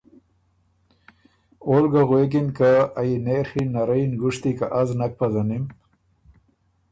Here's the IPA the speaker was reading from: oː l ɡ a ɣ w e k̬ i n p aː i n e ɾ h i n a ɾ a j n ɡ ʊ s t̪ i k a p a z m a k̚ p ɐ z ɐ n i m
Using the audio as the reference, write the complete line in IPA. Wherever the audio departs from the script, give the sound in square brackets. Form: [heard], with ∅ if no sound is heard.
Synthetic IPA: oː l ɡ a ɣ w e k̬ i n [k] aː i n e ɾ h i n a ɾ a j n ɡ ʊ [ʂ] t̪ i k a [ʔ] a z [n] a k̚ p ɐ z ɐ n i m

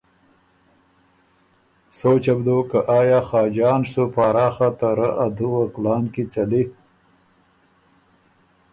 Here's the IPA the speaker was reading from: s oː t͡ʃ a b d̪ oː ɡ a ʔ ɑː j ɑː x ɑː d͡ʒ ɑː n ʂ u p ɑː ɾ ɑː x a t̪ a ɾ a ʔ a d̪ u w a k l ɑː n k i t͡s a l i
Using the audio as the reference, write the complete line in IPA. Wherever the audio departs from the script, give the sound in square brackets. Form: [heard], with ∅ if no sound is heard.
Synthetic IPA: s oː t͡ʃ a b d̪ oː [k] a ʔ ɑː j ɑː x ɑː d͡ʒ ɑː n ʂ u p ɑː ɾ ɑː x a t̪ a ɾ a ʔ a d̪ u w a k l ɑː n k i t͡s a l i

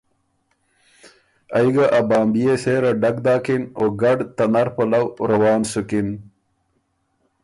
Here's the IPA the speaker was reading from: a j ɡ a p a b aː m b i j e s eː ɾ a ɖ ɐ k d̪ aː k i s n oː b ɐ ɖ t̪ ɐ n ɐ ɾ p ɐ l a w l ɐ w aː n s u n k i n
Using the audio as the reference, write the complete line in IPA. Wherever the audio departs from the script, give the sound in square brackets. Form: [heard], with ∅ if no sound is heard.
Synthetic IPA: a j ɡ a [ʔ] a b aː m b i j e s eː ɾ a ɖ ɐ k d̪ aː k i [∅] n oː [ɡ] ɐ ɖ t̪ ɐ n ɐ ɾ p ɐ l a w [ɾ] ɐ w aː n s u [∅] k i n

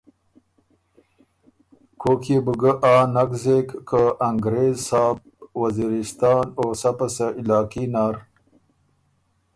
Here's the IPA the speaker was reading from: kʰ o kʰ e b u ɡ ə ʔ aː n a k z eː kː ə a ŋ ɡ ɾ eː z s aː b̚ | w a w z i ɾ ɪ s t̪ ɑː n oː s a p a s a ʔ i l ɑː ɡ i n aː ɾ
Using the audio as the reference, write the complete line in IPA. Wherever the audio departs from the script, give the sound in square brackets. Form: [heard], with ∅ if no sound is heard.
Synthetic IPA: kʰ o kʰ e b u ɡ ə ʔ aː n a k z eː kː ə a ŋ ɡ ɾ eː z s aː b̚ | w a [∅] z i ɾ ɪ s t̪ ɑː n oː s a p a s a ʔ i l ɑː [k] i n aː ɾ

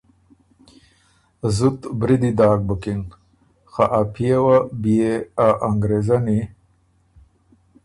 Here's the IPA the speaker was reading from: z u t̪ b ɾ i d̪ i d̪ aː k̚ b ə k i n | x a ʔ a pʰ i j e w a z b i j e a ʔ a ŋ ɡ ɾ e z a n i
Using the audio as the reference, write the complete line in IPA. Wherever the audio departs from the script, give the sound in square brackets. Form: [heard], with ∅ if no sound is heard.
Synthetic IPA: z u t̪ b ɾ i d̪ i d̪ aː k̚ b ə k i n | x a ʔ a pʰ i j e w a [∅] b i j e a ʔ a ŋ ɡ ɾ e z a n i

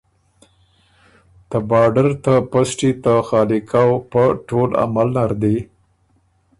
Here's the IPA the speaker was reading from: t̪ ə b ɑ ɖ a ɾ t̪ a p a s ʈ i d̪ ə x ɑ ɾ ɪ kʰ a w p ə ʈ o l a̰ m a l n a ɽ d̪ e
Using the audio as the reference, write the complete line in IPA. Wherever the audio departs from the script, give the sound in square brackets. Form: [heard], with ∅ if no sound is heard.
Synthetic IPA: t̪ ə b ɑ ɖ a ɾ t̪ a p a s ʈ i [t̪] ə x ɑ [l] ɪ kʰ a w p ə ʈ o l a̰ m a l n a [ɾ] d̪ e

